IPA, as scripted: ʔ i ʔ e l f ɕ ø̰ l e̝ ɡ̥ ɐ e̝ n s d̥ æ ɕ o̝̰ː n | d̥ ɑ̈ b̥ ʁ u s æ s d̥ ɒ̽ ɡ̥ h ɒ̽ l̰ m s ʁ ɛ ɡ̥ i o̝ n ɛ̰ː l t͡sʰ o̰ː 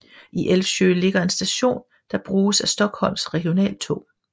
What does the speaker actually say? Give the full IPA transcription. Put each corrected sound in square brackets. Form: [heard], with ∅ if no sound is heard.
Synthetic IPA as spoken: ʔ i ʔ e l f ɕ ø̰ l e̝ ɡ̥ ɐ e̝ n s d̥ æ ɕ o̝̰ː n | d̥ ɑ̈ b̥ ʁ [uː] s æ s d̥ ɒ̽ ɡ̥ h ɒ̽ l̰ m s ʁ ɛ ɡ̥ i o̝ n ɛ̰ː l t͡sʰ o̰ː